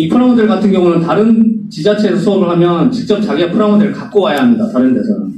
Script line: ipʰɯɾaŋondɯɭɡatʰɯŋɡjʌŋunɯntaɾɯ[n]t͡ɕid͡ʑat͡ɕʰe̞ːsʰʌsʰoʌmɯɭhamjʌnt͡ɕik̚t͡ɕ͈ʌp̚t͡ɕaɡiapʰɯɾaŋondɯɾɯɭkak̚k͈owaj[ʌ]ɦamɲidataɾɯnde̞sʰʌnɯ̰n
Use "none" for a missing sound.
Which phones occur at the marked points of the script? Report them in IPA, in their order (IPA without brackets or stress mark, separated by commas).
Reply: n, a